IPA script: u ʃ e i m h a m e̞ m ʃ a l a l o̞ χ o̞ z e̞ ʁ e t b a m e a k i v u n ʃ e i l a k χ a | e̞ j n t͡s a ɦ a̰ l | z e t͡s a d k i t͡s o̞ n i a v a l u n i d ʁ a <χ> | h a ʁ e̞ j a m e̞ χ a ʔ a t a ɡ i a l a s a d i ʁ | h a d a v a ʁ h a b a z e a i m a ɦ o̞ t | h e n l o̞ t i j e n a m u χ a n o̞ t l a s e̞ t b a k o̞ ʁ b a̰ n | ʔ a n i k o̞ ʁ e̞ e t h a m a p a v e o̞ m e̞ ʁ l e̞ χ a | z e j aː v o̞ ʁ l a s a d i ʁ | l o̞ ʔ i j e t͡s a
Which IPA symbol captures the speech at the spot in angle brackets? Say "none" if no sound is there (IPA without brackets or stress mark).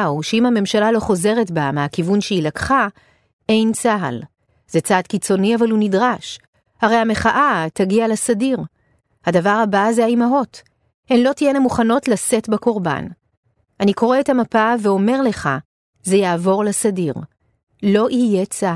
ʃ